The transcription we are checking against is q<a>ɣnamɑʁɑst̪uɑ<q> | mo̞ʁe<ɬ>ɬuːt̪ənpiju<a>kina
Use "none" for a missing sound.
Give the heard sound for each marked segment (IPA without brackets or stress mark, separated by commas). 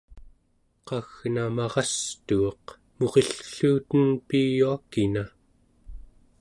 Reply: ɑ, q, ɬ, a